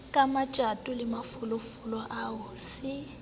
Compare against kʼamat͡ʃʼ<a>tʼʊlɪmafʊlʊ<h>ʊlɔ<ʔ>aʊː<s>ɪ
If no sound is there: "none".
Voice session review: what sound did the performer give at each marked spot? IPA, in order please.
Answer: a, f, ʔ, s

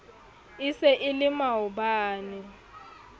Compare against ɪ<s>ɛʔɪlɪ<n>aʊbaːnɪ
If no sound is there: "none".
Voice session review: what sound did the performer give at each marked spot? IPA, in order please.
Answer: s, m

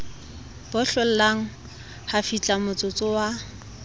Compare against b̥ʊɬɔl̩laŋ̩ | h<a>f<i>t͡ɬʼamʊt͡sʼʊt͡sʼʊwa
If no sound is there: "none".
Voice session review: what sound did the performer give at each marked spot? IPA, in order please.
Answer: a, i

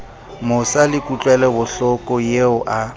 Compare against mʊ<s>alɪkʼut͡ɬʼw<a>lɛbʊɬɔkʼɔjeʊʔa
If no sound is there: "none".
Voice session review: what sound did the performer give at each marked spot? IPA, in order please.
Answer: s, ɛ

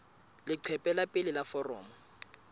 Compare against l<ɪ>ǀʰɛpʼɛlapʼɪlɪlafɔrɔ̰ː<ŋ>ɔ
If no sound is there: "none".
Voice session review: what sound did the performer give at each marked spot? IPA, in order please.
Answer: ɪ, m

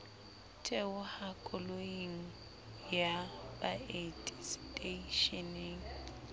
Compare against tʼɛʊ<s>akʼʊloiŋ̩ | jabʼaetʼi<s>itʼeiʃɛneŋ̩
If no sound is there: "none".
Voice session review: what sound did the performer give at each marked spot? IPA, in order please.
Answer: h, s

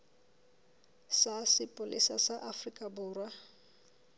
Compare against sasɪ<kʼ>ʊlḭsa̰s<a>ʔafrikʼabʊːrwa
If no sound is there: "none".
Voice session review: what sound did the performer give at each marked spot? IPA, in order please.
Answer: pʼ, a

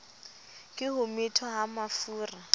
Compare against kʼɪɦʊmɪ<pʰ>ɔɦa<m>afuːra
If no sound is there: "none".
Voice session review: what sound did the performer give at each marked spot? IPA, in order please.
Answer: tʰ, m

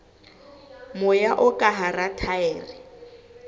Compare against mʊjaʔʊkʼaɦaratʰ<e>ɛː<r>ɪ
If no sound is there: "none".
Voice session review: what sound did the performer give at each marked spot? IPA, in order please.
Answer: a, r

